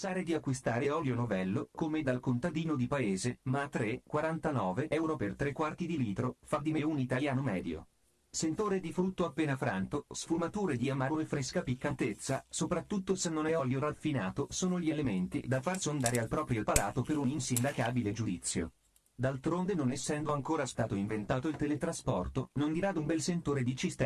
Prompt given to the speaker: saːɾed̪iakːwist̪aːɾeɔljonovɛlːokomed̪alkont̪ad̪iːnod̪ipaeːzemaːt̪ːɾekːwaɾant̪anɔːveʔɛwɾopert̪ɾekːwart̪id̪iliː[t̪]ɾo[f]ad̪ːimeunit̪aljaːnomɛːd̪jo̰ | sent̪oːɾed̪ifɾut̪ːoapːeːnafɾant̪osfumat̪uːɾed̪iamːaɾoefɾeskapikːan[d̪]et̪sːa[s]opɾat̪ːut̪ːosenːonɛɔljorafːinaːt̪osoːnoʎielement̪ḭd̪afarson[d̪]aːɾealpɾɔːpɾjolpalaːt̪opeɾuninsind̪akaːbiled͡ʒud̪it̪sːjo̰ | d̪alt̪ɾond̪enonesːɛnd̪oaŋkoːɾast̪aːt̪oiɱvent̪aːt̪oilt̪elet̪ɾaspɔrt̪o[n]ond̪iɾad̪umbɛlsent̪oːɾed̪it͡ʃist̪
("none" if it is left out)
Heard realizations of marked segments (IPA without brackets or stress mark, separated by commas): t̪, f, t̪, s, d̪, n